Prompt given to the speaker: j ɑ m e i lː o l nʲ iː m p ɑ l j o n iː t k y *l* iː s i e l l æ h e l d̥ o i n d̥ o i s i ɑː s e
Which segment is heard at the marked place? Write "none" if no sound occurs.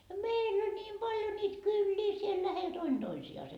lː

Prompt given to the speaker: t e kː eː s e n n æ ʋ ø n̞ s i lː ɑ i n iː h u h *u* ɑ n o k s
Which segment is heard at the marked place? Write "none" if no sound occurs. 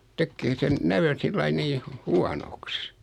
u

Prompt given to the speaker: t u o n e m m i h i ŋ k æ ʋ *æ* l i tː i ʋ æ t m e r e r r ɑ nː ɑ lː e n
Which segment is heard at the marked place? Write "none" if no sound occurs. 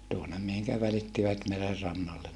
æ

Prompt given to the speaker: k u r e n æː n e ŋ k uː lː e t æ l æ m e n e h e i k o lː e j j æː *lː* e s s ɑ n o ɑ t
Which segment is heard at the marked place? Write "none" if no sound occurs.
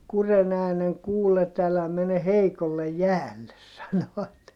lː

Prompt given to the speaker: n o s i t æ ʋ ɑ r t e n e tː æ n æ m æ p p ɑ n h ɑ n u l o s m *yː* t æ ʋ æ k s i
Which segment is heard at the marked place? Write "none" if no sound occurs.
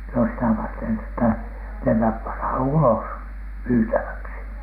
yː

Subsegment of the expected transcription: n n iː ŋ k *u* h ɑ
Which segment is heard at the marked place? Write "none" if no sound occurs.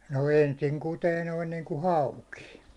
u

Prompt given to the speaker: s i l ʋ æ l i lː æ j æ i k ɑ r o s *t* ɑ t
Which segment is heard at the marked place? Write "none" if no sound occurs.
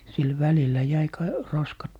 k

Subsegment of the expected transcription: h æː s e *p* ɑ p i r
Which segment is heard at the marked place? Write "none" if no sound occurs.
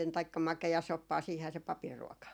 p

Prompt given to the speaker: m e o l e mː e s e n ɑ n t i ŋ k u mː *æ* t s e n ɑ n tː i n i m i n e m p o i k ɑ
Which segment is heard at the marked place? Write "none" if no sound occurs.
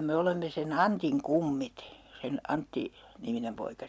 i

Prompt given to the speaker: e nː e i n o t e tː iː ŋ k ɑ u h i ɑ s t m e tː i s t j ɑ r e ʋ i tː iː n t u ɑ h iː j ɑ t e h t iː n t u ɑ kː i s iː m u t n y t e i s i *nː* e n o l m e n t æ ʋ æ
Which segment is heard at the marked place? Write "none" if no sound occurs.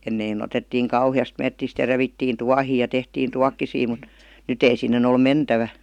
nː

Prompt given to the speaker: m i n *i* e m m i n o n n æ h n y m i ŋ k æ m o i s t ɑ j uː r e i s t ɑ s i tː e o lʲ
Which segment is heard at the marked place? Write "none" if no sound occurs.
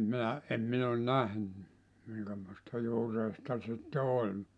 æ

